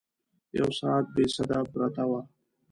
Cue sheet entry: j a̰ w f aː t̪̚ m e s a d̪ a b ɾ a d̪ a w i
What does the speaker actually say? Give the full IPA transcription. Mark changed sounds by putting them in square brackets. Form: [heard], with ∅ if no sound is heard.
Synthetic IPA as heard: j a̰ w [s] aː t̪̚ [b] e s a d̪ a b ɾ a [t̪] a w [a]

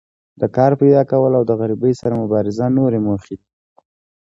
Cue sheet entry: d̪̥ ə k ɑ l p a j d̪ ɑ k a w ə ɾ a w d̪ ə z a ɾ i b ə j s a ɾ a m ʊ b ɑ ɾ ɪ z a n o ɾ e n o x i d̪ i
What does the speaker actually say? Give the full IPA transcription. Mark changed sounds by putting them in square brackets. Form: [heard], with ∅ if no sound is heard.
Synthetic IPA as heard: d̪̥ ə k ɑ [ɾ] p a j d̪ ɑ k a w ə [l] a w d̪ ə [ɣ] a ɾ i b ə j s a ɾ a m ʊ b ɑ ɾ ɪ z a n o ɾ e [m] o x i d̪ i

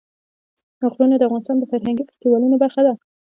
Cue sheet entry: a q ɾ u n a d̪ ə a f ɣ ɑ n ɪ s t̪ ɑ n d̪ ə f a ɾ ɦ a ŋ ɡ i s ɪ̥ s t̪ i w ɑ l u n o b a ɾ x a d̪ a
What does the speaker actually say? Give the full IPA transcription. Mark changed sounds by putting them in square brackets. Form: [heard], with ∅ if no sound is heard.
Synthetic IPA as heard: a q ɾ u n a d̪ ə a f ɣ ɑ n ɪ s t̪ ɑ n d̪ ə f a ɾ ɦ a ŋ ɡ i [f] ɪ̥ s t̪ i w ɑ l u n o b a ɾ x a d̪ a

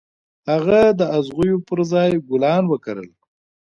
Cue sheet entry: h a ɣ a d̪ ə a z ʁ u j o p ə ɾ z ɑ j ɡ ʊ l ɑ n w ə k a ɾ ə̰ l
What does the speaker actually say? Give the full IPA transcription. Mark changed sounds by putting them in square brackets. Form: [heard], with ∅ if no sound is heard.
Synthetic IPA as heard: h a ɣ a d̪ ə a z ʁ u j o p ə ɾ z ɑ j ɡ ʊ l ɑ n w ə k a ɾ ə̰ l

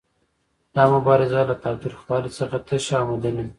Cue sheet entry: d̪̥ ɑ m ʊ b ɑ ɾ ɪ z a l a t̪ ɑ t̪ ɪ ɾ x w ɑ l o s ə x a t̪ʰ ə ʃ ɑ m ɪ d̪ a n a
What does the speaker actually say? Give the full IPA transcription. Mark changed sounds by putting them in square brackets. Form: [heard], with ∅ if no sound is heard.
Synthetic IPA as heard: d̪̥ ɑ m ʊ b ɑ ɾ ɪ z a l a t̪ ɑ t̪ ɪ ɾ x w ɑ l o s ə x a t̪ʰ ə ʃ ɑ m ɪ d̪ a n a

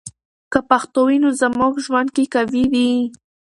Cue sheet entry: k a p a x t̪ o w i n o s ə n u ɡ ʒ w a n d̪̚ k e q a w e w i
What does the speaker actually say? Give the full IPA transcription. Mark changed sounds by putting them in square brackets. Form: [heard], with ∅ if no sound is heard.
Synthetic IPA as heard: k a p a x t̪ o w i n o [z] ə [m] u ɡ ʒ w a n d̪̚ k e [k] a w [i] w i

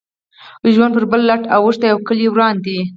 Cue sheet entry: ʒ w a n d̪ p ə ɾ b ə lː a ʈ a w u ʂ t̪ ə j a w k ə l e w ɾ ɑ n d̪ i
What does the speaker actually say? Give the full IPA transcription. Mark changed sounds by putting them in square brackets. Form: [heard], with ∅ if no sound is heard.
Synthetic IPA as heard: ʒ w a n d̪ p ə ɾ b ə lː a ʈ a w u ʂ t̪ [a] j a w k ə l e w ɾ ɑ n d̪ i

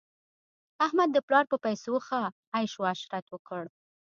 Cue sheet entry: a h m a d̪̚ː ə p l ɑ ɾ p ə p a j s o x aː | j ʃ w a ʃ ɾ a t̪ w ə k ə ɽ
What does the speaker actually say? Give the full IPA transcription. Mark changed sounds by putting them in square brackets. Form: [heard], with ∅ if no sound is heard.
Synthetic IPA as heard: a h m a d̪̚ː ə p l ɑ ɾ p ə p a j s o x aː | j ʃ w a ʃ ɾ a t̪ w ə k ə ɽ

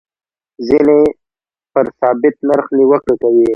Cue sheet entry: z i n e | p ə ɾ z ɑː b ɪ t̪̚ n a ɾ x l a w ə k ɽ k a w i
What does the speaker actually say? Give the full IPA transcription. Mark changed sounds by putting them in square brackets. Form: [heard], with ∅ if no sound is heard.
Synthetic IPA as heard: z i n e | p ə ɾ [s] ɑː b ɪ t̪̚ n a ɾ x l [i] w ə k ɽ k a w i

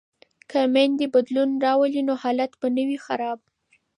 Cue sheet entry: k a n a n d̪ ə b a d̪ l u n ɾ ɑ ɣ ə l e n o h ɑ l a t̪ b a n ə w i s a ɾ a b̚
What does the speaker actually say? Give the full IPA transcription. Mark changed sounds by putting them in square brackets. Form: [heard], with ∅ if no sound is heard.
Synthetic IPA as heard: k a [m] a n d̪ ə b a d̪ l u n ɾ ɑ [w] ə l [i] n o h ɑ l a t̪ b a n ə w i [x] a ɾ [ɑ] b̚

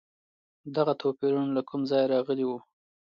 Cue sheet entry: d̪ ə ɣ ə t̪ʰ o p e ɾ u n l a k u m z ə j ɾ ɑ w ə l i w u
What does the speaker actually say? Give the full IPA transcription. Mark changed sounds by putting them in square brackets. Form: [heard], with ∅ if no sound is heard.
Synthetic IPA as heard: d̪ [a] ɣ [a] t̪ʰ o p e ɾ u n l a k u m z [ɑ] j ɾ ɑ [ɣ] ə l i w u

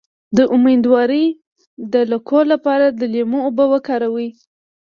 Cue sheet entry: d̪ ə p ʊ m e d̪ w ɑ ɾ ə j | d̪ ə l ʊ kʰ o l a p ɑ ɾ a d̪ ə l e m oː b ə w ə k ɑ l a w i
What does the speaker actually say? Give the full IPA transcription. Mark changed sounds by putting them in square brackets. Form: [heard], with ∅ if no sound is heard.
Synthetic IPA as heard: d̪ ə [ʔ] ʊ m e d̪ w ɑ ɾ ə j | d̪ ə l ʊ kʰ o l a p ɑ ɾ a d̪ ə l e m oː b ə w ə k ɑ [ɾ] a w i

